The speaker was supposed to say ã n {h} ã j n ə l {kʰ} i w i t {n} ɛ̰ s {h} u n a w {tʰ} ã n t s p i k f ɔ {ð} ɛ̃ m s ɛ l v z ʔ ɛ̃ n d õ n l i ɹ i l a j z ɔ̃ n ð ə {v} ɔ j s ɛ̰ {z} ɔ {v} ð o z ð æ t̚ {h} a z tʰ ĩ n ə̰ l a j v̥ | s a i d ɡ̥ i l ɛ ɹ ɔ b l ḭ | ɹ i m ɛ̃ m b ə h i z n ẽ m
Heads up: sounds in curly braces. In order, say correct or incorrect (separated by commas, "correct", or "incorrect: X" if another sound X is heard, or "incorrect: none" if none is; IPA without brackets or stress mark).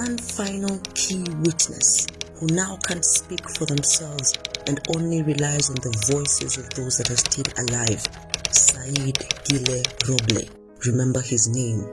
incorrect: f, correct, correct, correct, incorrect: kʰ, correct, correct, correct, correct, correct